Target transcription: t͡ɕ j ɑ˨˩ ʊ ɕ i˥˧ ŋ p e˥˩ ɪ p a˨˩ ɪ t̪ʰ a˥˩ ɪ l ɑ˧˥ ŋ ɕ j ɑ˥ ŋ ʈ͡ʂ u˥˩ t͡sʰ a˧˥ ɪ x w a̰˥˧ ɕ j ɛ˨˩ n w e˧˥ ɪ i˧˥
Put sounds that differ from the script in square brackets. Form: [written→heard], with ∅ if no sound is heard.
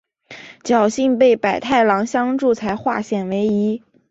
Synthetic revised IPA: t͡ɕ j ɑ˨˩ ʊ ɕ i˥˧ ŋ p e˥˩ ɪ p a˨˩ ɪ t̪ʰ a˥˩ ɪ l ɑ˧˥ ŋ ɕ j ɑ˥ ŋ ʈ͡ʂ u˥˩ t͡sʰ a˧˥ ɪ x w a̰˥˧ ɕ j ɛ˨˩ n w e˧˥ ɪ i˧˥